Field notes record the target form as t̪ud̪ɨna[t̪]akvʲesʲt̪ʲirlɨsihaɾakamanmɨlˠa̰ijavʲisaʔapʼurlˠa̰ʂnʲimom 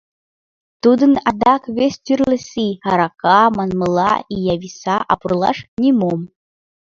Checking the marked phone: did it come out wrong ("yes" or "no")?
yes